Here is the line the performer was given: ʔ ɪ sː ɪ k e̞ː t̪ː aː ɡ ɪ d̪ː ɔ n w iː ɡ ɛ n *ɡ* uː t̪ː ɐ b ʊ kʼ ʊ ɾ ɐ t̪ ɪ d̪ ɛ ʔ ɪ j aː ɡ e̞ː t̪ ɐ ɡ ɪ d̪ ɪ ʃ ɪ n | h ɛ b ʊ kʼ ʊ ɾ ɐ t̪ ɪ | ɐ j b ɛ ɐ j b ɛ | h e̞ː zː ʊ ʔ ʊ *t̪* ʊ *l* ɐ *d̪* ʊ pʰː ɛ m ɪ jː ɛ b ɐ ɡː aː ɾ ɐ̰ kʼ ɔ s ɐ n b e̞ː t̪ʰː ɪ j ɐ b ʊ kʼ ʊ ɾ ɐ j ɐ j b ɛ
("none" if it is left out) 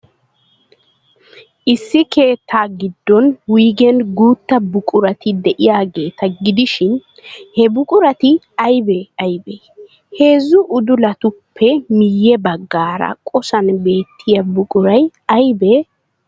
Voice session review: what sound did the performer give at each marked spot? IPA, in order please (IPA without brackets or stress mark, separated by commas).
ɡ, d̪, l, t̪